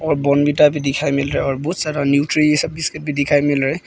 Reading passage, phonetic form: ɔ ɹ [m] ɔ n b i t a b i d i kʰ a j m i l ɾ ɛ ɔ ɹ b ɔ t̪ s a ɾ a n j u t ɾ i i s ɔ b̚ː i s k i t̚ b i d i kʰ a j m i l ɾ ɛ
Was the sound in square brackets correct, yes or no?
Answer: no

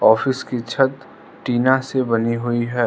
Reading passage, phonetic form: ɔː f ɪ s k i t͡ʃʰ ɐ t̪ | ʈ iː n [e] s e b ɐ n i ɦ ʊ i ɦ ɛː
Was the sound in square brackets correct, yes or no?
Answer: no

